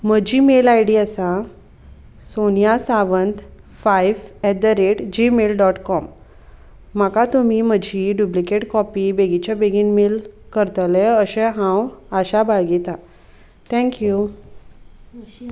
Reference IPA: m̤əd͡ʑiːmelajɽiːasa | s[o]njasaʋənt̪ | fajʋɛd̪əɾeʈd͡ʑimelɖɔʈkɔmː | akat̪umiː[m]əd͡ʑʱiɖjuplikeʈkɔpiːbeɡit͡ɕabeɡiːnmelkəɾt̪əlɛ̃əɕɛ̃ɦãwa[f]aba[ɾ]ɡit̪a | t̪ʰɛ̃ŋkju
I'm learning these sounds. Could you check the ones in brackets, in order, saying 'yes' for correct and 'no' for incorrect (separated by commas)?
yes, yes, no, no